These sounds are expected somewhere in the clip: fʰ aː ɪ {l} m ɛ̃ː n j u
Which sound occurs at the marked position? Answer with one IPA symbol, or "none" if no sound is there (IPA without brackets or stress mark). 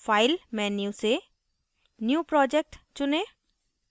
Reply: l